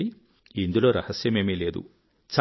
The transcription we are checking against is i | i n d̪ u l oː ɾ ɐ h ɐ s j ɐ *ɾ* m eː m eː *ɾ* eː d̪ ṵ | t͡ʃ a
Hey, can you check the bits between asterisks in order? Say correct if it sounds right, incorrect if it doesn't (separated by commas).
incorrect, incorrect